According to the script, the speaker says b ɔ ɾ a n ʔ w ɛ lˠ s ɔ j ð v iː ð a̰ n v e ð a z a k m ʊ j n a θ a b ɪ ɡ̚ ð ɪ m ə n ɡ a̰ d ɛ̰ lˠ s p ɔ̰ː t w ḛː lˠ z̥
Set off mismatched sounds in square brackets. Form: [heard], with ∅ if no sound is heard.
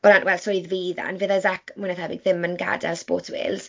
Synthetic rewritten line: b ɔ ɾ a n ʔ w ɛ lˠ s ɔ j ð v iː ð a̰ n v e ð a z a k m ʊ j n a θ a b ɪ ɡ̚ ð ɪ m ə n ɡ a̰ d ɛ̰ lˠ s p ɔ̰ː t w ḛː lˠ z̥